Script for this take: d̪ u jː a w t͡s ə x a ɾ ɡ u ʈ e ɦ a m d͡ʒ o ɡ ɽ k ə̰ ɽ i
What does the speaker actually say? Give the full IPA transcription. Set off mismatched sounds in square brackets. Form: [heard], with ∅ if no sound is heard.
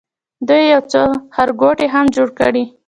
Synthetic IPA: d̪ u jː a w t͡s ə [h] a ɾ ɡ [o] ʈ e ɦ a m d͡ʒ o [∅] ɽ k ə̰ ɽ i